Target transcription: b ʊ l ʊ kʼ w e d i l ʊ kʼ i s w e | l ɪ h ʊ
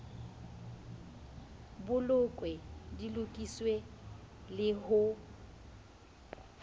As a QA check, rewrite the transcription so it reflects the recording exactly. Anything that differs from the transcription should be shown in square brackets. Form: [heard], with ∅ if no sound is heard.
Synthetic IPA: b ʊ l ʊ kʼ w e d i l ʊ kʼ i s w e | l ɪ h ʊ